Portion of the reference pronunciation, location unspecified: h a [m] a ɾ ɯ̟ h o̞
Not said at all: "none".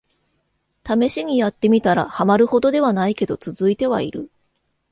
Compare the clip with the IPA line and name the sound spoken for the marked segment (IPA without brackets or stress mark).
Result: m